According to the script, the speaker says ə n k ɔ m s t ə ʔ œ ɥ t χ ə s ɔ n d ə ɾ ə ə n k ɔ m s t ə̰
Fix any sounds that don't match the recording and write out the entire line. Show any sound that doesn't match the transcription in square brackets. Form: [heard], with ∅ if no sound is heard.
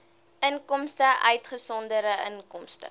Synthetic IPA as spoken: ə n k ɔ m s t ə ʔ œ ɥ t χ ə s ɔ n d ə ɾ ə ə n k ɔ m s t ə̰

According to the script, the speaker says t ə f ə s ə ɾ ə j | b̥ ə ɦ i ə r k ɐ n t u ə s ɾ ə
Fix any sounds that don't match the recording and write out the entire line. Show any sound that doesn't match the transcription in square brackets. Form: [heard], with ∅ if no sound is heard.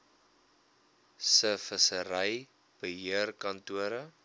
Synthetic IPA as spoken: [s] ə f ə s ə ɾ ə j | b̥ ə ɦ i ə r k ɐ n t u ə [∅] ɾ ə

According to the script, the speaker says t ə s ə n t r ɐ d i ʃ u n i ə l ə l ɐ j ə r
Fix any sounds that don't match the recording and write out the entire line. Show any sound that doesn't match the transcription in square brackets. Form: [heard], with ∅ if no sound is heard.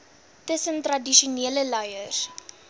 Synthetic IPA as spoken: t ə s ə n t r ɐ d i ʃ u n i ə l ə l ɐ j ə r

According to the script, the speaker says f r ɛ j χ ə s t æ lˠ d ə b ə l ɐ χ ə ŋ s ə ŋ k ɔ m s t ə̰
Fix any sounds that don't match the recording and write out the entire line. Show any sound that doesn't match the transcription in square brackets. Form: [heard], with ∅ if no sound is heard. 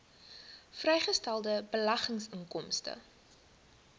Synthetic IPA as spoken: f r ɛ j χ ə s t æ lˠ d ə b ə l ɐ χ ə ŋ s ə ŋ k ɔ m s t ə̰

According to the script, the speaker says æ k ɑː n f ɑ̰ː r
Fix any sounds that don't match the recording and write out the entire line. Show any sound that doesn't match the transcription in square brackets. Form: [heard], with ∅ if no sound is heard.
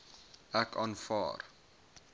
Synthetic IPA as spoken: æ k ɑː n f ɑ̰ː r

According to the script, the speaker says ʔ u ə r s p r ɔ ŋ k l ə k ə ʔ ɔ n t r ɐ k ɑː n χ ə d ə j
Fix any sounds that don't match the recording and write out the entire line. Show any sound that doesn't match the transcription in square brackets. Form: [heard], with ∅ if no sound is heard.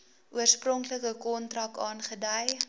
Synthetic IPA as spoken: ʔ u ə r s p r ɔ ŋ k l ə k ə [k] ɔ n t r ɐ k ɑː n χ ə d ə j

